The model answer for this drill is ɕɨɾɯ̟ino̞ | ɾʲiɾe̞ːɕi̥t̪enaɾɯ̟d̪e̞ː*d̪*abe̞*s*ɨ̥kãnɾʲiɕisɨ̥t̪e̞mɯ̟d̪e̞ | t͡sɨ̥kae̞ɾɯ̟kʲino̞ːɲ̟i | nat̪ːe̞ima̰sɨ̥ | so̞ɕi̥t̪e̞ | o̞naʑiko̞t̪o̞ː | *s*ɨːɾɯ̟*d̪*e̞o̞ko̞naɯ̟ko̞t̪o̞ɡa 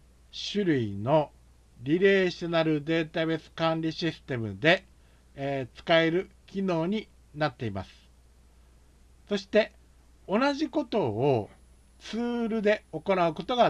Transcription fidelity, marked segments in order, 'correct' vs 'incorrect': incorrect, correct, incorrect, correct

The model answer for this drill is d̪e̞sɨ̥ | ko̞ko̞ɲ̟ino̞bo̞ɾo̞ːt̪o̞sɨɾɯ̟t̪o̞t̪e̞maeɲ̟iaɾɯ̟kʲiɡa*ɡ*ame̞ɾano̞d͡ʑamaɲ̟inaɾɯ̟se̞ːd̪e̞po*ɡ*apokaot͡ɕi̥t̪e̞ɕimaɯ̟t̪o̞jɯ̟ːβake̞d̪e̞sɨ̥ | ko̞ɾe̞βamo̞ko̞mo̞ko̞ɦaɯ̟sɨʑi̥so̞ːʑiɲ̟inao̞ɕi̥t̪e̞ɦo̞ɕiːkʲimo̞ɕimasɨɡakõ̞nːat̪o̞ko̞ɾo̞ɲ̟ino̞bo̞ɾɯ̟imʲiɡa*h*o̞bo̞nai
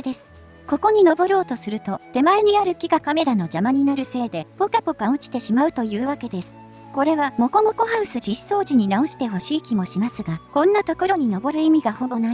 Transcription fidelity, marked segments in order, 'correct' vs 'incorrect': incorrect, incorrect, correct

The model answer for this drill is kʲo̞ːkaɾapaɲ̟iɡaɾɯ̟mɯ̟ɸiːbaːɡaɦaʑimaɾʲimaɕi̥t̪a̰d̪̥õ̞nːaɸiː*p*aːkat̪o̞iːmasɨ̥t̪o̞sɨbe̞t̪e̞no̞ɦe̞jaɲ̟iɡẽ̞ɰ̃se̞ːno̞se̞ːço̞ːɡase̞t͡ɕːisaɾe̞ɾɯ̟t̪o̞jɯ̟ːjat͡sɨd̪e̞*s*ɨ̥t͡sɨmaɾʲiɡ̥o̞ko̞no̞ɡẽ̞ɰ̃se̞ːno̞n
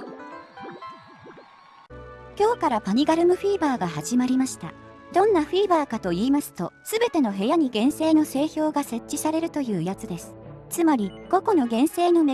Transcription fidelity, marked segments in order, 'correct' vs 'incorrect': incorrect, correct

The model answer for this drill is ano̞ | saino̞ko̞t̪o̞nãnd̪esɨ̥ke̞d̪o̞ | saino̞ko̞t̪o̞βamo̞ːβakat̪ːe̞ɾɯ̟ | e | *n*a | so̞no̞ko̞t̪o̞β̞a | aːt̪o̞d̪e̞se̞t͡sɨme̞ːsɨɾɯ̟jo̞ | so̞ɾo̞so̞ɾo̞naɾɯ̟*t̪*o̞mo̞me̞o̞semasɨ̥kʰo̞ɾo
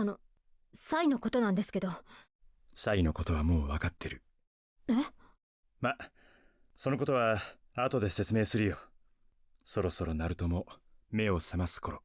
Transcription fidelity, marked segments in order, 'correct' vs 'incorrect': incorrect, correct

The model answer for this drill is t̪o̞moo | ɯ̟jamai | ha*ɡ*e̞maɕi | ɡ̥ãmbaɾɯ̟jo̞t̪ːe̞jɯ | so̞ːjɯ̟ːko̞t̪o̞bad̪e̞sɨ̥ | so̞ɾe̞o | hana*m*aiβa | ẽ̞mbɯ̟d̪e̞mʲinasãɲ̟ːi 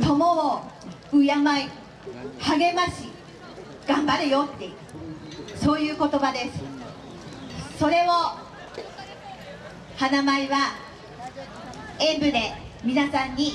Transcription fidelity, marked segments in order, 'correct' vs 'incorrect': correct, correct

